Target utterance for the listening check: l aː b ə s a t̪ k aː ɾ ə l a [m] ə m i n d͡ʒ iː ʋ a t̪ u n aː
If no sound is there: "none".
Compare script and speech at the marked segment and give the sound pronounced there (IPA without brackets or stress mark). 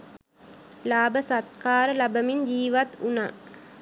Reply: b